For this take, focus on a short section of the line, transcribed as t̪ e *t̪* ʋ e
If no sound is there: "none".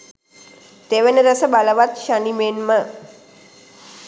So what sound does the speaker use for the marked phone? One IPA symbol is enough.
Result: none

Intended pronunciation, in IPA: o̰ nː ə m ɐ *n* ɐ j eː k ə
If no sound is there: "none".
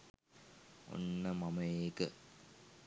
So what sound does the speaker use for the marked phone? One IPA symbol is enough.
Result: m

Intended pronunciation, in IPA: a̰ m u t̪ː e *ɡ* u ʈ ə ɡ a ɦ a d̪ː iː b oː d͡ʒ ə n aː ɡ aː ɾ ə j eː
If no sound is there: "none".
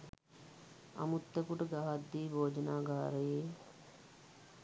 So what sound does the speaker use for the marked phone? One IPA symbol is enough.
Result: k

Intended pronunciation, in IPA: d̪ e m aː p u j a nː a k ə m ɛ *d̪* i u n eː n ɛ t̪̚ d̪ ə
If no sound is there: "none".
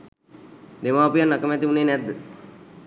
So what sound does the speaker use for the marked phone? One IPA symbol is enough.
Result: t̪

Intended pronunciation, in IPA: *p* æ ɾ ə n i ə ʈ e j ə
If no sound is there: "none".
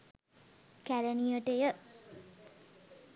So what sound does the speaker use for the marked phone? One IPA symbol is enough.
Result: k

